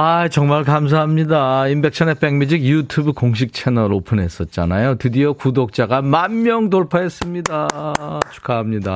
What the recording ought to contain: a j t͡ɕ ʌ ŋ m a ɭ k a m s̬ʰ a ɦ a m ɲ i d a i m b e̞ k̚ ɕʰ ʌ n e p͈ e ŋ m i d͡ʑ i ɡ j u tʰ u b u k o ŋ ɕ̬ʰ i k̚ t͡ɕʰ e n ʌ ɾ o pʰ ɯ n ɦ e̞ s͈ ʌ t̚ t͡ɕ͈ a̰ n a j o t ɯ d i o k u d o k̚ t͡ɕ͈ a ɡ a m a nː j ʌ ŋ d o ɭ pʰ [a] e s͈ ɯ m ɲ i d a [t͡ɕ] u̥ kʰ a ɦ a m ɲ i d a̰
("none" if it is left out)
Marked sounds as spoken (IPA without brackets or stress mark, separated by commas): a, t͡ɕʰ